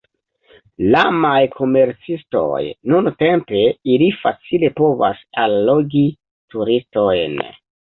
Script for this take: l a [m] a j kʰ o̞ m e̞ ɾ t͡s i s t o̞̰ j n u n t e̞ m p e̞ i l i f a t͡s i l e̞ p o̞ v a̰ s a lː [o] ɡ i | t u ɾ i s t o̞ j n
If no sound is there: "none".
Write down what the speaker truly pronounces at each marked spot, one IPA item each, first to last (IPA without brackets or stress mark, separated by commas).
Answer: m, o